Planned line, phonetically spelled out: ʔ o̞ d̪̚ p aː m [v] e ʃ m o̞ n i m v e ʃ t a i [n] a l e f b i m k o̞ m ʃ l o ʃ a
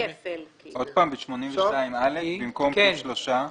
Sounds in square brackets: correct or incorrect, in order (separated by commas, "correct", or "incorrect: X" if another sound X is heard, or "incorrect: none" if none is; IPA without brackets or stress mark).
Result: incorrect: b, incorrect: m